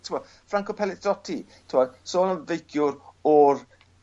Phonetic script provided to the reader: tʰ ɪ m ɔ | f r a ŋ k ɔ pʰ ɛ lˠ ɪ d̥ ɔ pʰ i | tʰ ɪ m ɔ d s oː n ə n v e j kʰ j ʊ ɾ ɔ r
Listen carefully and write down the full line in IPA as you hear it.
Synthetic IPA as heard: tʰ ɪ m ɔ | f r a ŋ k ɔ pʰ ɛ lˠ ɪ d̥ ɔ tʰ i | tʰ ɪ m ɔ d s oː n ə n v e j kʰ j ʊ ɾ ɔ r